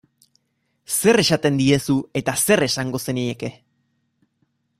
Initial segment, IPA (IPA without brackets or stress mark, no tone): s